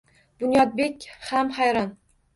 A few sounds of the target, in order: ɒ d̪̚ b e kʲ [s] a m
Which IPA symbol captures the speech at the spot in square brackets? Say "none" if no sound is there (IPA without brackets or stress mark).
h